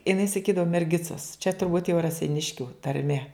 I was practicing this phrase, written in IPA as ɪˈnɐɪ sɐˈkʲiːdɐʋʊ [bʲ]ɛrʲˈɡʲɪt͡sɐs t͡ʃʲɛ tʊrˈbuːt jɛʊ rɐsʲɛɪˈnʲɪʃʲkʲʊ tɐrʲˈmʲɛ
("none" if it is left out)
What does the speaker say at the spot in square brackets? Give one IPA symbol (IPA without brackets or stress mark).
mʲ